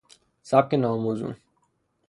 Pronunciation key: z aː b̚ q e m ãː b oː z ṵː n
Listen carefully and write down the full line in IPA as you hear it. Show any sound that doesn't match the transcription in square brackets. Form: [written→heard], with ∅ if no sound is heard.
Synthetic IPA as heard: [z→s] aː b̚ [q→k] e [m→n] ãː [b→m] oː z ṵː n